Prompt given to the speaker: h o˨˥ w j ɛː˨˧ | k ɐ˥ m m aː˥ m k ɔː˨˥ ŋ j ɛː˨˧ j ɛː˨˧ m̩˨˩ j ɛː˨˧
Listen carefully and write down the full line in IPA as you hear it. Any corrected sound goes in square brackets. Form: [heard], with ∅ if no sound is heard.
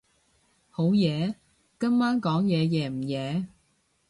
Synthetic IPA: h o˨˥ w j ɛː˨˧ | k ɐ˥ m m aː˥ [n] k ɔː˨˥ ŋ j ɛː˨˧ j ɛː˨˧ m̩˨˩ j ɛː˨˧